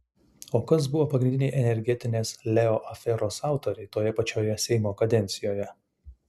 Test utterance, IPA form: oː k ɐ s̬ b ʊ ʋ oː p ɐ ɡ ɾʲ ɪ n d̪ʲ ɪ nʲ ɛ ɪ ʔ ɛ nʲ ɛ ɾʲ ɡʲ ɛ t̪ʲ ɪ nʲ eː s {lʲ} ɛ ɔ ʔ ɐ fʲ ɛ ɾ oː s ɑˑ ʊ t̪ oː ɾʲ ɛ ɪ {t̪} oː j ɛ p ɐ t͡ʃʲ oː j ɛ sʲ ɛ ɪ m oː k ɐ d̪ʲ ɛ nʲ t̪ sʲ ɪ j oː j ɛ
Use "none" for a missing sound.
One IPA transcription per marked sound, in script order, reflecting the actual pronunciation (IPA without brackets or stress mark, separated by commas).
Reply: lʲ, t̪